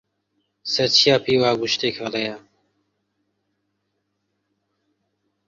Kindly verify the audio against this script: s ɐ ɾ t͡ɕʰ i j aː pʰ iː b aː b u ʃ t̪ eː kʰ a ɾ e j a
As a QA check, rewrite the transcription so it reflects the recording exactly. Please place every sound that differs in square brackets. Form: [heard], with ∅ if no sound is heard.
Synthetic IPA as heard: s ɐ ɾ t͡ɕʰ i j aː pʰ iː [w] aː [ɡ] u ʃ t̪ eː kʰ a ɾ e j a